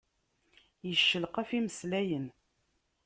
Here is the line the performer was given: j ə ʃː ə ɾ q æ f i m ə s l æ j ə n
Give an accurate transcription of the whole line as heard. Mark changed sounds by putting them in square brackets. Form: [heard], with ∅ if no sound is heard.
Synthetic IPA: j ə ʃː ə [l] q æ f i m ə s l æ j ə n